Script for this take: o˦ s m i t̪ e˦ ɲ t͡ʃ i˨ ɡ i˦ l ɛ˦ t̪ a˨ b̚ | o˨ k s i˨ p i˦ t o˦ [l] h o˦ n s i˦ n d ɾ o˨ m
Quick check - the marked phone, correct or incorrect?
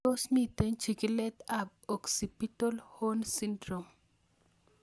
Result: correct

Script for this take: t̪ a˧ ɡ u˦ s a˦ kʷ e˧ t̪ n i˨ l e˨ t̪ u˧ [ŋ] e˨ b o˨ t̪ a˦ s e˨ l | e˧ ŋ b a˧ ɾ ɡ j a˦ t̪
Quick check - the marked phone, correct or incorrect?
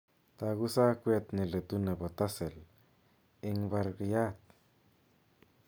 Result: incorrect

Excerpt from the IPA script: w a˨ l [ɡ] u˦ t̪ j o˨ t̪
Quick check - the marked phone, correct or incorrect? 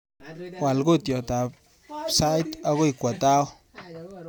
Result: correct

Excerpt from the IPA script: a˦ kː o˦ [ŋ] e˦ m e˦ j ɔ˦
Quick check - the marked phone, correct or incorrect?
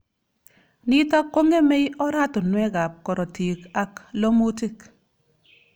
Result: correct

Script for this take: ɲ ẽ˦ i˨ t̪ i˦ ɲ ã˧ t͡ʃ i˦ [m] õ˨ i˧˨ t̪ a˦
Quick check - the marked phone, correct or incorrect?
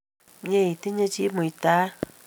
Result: correct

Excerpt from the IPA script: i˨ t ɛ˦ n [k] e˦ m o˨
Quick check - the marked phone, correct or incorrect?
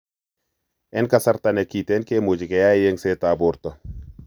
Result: correct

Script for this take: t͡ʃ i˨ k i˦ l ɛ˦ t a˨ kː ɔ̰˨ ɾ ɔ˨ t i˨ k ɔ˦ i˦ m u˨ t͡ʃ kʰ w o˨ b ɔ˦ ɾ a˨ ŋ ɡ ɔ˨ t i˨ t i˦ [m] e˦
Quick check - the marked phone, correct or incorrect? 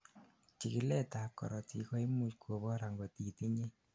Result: incorrect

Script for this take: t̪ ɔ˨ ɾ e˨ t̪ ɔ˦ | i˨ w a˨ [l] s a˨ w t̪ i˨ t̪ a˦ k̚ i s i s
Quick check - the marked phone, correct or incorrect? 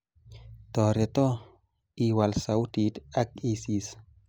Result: correct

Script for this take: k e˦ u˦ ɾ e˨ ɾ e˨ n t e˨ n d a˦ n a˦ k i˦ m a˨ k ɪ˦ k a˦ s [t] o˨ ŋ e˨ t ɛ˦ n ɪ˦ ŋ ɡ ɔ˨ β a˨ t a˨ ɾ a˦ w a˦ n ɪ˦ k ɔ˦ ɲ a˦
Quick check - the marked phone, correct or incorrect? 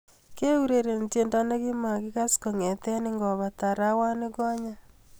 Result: incorrect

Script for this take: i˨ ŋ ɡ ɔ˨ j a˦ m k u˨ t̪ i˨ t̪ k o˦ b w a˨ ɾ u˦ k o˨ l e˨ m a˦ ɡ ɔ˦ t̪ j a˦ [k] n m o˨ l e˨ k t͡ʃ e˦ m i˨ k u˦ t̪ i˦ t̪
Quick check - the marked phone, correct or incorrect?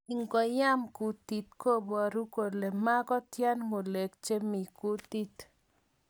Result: incorrect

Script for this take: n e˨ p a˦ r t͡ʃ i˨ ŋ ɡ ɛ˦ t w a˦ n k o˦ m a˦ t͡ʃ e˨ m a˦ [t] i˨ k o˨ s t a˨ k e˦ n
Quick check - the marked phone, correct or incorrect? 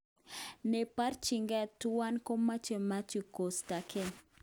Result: incorrect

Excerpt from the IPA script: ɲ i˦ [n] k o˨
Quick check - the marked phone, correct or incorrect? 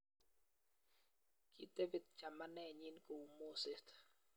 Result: correct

